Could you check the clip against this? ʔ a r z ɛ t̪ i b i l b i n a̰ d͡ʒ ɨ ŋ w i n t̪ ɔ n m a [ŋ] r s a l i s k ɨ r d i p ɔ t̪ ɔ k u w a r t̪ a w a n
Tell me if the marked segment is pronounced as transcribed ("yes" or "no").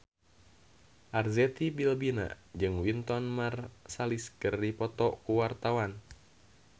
no